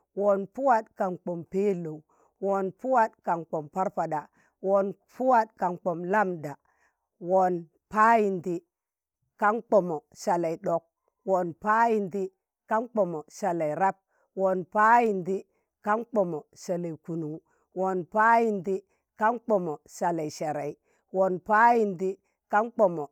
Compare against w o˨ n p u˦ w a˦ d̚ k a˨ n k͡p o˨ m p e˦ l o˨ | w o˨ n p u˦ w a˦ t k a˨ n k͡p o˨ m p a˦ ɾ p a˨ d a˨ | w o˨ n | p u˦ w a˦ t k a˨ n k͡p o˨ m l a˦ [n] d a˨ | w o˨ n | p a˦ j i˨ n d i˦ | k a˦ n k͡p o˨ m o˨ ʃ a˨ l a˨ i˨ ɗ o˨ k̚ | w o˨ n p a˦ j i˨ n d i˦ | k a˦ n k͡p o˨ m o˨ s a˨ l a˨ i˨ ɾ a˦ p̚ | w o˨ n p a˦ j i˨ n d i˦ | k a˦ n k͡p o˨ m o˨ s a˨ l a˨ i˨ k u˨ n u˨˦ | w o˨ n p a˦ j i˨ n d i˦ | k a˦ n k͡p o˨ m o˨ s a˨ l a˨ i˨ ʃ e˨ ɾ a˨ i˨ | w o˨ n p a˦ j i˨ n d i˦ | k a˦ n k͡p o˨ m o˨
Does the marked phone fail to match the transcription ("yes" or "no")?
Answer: yes